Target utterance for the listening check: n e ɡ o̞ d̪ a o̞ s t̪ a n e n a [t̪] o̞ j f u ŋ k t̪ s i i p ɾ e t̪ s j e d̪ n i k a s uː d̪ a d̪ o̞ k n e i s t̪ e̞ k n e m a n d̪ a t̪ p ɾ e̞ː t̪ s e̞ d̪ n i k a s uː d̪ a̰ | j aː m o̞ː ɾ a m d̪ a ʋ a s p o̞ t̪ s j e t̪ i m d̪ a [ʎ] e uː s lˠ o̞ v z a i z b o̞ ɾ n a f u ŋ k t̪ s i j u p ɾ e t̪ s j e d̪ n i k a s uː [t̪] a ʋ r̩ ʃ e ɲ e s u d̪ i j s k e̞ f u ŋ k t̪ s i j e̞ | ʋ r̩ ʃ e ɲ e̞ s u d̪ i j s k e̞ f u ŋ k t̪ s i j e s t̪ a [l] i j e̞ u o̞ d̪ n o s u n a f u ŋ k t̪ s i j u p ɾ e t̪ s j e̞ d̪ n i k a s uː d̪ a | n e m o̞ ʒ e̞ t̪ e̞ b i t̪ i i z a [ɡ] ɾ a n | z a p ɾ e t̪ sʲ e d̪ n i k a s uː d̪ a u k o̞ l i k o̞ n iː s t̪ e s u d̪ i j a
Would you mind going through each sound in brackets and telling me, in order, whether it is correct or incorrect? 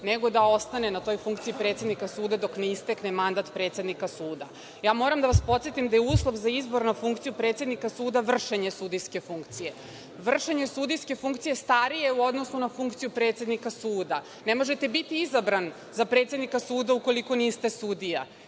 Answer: correct, incorrect: j, incorrect: d̪, incorrect: ɾ, incorrect: b

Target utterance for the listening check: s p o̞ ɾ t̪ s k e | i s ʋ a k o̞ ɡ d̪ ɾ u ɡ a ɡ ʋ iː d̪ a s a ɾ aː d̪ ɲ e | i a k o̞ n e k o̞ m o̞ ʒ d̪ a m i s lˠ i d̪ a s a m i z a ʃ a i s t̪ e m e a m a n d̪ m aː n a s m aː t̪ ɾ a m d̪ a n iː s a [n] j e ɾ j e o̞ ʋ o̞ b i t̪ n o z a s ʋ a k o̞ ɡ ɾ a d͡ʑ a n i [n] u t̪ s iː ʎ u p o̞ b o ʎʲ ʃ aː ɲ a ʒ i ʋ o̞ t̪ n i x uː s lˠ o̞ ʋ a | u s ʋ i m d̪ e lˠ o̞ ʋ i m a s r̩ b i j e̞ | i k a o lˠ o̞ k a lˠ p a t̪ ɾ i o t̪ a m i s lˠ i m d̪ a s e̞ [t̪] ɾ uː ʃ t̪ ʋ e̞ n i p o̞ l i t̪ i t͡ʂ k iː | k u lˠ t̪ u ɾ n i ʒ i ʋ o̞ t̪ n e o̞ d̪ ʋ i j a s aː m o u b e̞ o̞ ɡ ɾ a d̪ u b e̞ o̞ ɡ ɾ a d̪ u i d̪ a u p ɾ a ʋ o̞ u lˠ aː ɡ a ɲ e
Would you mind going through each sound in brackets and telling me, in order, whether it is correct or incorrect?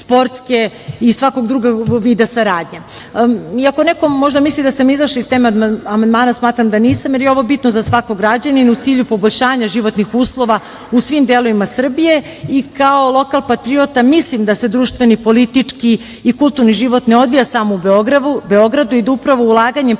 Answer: incorrect: m, correct, incorrect: d̪

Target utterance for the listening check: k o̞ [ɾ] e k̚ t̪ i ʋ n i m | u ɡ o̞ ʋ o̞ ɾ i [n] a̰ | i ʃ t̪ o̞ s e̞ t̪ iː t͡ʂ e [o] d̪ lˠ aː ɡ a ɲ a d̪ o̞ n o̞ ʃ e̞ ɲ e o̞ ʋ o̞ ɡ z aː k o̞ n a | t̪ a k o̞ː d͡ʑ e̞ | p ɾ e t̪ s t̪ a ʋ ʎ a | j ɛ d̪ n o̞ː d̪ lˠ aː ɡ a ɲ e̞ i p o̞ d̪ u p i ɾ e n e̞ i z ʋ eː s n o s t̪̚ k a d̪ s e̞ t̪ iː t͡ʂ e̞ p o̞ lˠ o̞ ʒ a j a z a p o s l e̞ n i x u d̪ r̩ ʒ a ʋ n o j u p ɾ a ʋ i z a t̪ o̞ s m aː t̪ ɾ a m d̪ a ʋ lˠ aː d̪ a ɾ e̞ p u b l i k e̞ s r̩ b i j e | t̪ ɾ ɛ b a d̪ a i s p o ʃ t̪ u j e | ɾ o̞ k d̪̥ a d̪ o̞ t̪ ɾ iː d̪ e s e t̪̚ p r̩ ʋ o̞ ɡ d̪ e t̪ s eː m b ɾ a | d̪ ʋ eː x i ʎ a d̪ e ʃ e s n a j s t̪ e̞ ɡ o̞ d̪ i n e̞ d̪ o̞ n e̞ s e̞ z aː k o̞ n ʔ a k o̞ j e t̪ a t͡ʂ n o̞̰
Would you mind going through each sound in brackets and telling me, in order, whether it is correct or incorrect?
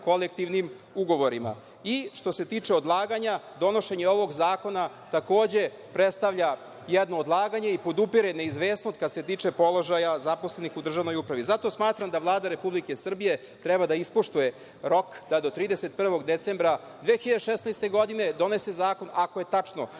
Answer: incorrect: l, incorrect: m, correct

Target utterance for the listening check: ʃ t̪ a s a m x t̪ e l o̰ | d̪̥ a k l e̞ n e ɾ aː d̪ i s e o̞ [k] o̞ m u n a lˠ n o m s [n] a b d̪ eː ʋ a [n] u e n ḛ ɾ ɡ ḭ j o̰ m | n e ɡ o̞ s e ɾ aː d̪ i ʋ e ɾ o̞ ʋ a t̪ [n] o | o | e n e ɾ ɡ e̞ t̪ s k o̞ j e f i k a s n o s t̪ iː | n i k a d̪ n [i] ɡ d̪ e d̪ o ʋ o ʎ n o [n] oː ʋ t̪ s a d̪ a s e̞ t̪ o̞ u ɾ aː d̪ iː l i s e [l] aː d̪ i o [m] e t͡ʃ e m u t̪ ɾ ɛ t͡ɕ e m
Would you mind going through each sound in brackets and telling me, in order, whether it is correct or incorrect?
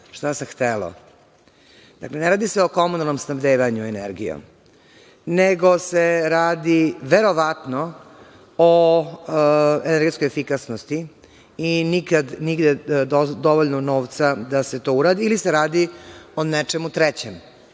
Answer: correct, correct, incorrect: ɲ, correct, correct, correct, incorrect: ɾ, incorrect: n

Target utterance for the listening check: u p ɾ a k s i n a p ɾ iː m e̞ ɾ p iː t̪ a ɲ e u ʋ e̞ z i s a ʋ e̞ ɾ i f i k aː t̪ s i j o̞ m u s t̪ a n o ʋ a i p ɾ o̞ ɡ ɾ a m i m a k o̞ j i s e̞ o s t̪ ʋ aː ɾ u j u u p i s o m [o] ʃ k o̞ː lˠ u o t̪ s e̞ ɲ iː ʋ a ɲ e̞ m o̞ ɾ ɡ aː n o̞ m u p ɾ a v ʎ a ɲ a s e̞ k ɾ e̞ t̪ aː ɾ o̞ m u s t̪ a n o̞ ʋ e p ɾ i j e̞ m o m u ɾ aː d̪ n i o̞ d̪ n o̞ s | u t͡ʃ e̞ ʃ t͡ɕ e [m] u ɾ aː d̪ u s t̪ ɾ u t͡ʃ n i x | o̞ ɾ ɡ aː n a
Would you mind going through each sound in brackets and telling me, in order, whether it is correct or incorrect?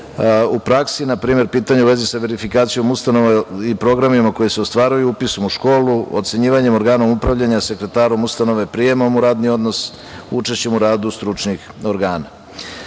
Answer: incorrect: u, correct

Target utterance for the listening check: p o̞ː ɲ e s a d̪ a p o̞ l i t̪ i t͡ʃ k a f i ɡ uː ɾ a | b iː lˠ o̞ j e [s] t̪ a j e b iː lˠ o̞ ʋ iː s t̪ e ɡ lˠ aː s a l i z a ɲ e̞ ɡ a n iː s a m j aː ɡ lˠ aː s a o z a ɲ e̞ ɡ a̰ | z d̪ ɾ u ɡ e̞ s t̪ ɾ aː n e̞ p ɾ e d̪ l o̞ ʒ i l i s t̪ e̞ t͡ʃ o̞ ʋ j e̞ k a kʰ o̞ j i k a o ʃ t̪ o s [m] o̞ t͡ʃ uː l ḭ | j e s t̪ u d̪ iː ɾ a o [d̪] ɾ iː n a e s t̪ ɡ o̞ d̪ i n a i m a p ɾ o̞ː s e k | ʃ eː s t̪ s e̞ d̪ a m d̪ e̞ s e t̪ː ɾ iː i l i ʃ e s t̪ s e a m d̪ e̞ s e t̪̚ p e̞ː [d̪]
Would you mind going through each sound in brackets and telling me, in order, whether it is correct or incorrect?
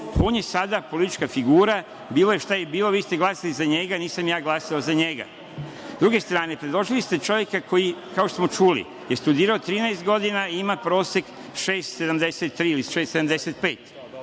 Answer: incorrect: ʃ, correct, incorrect: t̪, incorrect: t̪

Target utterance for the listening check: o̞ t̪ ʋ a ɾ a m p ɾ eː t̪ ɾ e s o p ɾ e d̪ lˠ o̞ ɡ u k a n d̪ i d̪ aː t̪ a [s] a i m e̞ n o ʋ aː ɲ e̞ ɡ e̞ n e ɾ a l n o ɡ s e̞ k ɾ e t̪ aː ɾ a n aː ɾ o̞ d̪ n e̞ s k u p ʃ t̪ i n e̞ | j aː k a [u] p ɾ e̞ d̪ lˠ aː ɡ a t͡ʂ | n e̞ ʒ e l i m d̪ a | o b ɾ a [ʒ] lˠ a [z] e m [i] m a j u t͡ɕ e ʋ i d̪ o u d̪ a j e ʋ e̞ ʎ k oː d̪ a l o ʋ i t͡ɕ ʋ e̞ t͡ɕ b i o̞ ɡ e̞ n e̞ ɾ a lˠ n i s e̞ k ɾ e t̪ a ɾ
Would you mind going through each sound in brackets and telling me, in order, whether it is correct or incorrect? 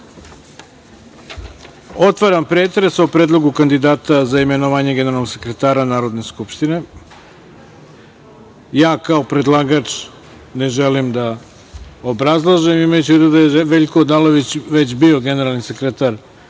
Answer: incorrect: z, incorrect: o, incorrect: z, incorrect: ʒ, correct

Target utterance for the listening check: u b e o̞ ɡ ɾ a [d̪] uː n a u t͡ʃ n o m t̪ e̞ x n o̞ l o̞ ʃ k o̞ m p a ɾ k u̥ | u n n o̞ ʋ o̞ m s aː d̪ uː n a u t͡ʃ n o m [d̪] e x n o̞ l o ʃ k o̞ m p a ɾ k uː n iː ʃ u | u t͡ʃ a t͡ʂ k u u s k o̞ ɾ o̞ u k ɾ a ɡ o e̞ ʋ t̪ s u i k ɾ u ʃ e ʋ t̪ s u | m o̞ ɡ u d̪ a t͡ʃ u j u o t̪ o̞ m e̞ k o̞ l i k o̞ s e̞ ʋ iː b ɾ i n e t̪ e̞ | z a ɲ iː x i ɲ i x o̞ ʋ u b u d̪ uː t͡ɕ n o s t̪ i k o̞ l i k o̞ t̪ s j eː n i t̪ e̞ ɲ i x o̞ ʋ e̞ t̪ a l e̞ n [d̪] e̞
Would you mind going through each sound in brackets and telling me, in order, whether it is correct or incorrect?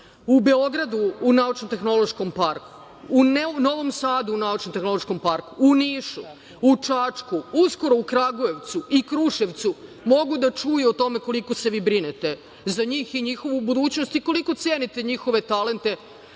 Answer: correct, incorrect: t̪, incorrect: t̪

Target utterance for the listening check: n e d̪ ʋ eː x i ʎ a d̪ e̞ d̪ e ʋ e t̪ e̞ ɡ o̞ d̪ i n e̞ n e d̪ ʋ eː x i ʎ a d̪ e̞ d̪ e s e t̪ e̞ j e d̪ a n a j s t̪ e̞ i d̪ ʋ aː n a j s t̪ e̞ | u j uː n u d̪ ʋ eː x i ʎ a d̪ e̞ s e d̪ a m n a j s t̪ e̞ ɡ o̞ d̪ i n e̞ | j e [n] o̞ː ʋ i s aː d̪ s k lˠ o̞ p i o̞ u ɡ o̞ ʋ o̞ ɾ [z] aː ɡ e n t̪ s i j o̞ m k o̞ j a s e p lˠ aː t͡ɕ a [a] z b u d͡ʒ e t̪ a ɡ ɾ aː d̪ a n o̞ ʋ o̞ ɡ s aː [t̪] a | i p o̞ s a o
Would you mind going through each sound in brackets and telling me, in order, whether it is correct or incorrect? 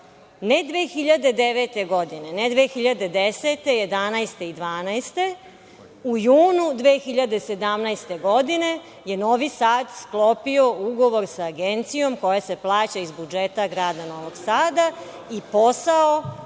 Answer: correct, incorrect: s, incorrect: i, incorrect: d̪

